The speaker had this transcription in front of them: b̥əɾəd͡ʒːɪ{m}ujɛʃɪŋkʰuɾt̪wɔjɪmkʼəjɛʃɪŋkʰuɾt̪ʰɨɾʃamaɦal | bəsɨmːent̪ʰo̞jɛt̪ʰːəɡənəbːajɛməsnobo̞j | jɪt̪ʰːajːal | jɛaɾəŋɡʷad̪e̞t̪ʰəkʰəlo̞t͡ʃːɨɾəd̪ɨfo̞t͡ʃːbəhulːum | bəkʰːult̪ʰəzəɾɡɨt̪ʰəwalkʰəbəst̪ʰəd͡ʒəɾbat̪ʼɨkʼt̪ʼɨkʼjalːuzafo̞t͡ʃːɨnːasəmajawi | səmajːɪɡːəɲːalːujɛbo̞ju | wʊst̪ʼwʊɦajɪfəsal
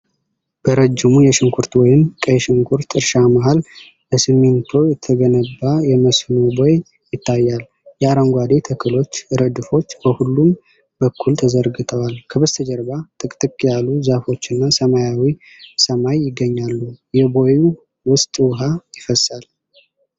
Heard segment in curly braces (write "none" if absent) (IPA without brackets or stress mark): m